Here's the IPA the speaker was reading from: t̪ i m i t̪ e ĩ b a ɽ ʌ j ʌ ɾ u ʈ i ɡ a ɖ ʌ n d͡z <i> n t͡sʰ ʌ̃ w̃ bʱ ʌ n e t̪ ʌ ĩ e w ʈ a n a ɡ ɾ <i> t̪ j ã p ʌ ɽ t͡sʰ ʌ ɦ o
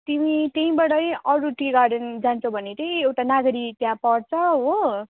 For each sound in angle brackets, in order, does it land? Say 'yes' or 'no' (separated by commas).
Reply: no, yes